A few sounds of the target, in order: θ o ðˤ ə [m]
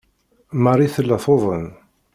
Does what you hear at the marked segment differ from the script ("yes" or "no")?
yes